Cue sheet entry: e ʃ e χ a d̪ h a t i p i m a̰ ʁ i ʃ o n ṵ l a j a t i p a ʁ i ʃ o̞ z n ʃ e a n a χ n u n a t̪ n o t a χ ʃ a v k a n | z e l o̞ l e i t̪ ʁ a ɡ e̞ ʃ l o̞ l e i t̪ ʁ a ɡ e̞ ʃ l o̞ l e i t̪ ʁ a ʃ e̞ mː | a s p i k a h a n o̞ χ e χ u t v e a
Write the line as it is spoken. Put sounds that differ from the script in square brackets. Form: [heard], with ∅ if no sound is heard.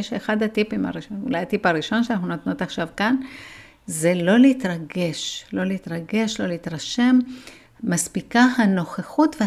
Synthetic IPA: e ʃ e χ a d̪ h a t i p i m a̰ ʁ i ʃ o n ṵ l a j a t i p a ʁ i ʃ o̞ [∅] n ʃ e a n a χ n u n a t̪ n o t a χ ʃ a v k a n | z e l o̞ l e i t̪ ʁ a ɡ e̞ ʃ l o̞ l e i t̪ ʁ a ɡ e̞ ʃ l o̞ l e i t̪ ʁ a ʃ e̞ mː | a s p i k a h a n o̞ χ e χ u t v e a